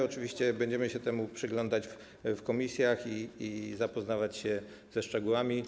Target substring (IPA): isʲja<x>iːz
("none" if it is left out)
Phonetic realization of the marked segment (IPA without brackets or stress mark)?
x